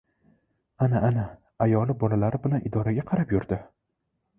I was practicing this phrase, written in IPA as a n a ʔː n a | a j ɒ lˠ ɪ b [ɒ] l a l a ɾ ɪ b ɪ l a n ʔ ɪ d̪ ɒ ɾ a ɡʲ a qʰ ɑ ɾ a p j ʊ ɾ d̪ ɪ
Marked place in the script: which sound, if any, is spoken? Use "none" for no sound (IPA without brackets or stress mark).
ɒ